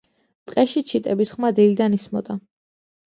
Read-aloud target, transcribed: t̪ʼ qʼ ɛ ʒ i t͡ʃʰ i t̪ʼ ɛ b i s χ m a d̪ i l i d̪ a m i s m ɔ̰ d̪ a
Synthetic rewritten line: t̪ʼ qʼ ɛ ʃ i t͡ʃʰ i t̪ʼ ɛ b i s χ m a d̪ i l i d̪ a n i s m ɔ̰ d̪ a